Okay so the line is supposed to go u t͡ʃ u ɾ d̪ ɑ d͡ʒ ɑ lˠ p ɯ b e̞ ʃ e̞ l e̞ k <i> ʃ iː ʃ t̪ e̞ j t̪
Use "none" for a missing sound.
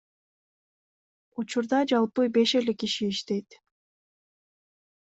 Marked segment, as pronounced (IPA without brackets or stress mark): i